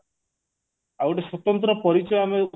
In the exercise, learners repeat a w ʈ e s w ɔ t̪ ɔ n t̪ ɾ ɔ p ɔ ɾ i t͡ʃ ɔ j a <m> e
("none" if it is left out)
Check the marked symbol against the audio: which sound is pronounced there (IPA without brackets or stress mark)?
m